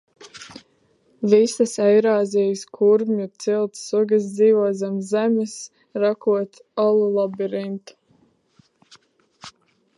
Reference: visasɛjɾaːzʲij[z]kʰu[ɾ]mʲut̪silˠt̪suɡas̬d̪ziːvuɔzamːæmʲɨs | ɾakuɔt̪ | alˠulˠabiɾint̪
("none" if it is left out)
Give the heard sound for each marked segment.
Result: s, ɾ

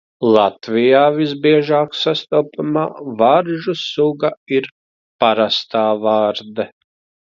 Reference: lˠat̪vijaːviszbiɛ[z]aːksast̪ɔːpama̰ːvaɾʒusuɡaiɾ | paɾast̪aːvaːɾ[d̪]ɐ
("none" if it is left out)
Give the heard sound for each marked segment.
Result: ʒ, d̪

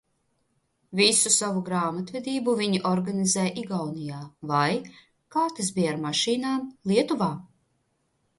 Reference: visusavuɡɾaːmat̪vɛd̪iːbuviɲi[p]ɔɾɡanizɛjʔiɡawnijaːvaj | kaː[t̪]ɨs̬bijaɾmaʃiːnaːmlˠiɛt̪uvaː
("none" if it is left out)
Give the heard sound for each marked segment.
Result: ʔ, t̪

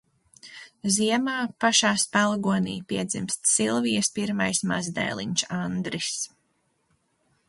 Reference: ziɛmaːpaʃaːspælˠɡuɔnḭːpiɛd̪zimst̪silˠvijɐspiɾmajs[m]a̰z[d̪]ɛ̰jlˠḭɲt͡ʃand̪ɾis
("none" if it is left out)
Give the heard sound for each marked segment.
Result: m, d̪

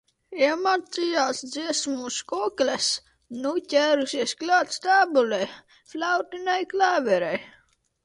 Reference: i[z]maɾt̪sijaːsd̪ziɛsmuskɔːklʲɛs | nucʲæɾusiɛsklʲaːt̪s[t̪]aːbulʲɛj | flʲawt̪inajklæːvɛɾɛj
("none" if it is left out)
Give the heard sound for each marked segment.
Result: none, t̪

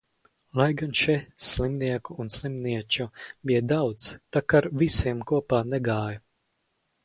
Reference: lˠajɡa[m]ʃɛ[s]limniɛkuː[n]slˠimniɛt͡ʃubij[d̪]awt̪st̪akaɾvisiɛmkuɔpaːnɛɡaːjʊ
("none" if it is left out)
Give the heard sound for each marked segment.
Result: n, s, n, d̪

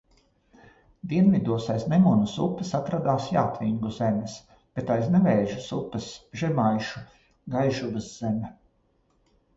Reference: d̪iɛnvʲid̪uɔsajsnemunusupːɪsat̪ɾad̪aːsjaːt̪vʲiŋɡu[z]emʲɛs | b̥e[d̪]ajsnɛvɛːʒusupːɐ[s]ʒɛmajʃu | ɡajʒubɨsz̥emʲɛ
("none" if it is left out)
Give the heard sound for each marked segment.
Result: z, t̪, s

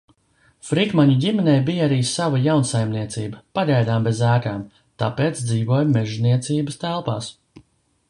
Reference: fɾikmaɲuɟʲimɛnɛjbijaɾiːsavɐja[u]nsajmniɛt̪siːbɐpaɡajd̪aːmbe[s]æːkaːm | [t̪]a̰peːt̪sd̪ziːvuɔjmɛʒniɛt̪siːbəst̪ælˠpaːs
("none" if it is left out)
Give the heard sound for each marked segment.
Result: w, z, t̪

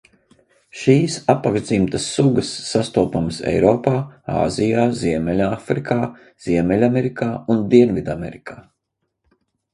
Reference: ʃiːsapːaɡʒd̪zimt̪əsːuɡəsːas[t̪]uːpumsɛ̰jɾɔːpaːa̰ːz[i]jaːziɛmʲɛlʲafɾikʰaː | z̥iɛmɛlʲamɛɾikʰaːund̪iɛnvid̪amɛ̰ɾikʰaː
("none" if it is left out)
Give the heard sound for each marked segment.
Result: t̪, i

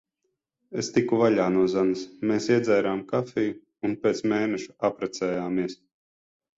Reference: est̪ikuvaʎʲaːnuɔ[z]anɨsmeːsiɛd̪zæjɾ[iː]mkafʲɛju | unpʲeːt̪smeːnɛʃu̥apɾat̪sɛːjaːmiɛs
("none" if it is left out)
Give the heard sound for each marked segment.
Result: z, aː

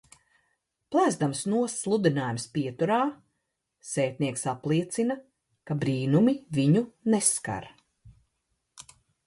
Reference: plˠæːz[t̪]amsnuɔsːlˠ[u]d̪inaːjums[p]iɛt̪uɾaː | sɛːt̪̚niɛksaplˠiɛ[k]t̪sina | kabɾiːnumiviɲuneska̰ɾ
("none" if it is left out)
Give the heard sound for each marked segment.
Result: d̪, u, p, none

